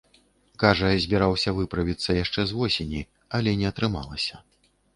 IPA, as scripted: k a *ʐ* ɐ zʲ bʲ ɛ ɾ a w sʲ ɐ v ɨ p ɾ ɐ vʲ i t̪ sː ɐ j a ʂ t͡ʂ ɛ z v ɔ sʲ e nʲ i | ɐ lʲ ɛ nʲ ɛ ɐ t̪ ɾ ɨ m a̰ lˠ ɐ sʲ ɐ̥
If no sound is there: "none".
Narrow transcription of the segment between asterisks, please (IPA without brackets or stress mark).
ʐ